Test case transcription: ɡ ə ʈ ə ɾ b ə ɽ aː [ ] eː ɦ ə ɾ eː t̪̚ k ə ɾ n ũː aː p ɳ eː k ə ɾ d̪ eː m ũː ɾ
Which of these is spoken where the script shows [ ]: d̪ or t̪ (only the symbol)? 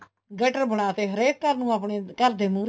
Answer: t̪